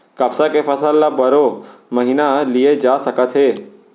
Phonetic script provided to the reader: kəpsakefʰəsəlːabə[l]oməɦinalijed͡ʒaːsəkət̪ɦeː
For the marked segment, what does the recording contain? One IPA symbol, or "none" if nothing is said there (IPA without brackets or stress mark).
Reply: ɾ